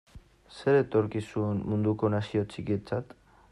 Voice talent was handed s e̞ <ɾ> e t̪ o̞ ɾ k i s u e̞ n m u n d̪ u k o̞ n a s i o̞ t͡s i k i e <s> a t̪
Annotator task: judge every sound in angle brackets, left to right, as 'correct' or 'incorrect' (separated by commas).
correct, incorrect